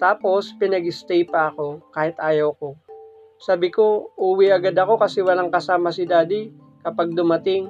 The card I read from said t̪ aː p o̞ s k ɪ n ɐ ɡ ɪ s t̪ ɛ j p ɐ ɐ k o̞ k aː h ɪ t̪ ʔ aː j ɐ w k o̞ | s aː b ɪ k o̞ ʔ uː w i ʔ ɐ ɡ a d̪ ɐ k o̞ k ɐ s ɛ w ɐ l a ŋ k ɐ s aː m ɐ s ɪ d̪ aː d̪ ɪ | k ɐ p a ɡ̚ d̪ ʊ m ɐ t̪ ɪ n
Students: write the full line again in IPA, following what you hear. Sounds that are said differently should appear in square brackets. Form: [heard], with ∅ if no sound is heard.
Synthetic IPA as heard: t̪ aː p o̞ s [p] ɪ n ɐ ɡ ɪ s t̪ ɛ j p ɐ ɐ k o̞ k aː h ɪ t̪ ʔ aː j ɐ w k o̞ | s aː b ɪ k o̞ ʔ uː w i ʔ ɐ ɡ a d̪ ɐ k o̞ k ɐ s ɛ w ɐ l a ŋ k ɐ s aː m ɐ s ɪ d̪ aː d̪ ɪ | k ɐ p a ɡ̚ d̪ ʊ m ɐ t̪ ɪ [ŋ]